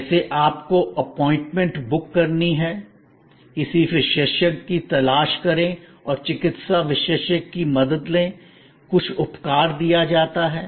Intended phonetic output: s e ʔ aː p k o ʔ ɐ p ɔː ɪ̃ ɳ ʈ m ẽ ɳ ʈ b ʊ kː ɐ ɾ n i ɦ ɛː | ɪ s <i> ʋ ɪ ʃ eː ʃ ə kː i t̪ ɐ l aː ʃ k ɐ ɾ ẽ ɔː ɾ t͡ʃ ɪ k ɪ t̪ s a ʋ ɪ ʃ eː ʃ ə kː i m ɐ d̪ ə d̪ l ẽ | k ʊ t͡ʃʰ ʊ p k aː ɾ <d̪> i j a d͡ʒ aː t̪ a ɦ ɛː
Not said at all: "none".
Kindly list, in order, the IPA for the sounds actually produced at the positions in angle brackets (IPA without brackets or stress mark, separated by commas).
i, d̪